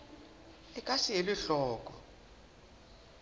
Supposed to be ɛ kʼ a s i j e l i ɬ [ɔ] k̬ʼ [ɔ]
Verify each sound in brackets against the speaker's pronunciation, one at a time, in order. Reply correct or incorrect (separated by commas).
incorrect, correct